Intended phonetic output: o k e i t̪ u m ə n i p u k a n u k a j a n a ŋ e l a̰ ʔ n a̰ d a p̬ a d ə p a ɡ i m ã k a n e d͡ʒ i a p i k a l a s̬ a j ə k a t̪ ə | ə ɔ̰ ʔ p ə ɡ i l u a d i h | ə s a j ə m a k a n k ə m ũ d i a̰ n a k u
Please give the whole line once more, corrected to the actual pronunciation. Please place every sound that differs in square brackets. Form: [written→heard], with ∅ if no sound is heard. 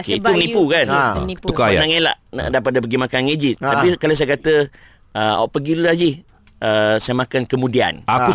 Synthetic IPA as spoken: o k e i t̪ u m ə n i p u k a n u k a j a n a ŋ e l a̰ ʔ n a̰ d a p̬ a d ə p [a→ə] ɡ i m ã k a n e d͡ʒ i a p i k a l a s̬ a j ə k a t̪ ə | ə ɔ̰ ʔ p ə ɡ i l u a [d→d͡ʒ] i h | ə s a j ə m a k a n k ə m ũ d i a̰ n a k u